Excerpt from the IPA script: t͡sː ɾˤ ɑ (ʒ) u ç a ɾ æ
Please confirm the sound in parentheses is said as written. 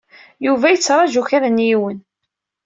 yes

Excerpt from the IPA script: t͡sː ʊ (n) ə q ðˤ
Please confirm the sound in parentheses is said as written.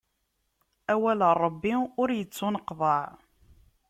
yes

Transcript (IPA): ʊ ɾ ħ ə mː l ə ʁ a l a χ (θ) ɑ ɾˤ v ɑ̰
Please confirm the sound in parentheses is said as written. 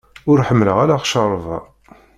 no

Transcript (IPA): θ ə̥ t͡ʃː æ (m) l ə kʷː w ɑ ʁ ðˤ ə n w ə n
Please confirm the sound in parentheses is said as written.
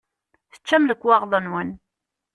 yes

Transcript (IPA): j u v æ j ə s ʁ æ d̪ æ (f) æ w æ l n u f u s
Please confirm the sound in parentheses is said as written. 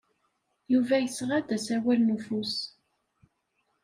no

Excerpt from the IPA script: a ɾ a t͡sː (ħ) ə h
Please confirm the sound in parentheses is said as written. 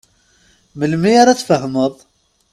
no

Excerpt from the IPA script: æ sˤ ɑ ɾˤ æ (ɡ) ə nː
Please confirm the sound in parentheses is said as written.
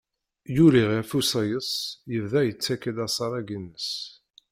yes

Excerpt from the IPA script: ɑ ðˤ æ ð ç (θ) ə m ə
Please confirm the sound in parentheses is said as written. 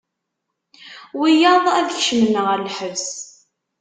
no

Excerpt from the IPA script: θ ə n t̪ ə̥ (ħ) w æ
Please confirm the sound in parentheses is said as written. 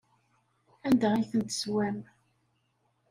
no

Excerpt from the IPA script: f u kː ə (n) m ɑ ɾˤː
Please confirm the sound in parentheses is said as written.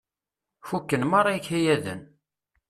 yes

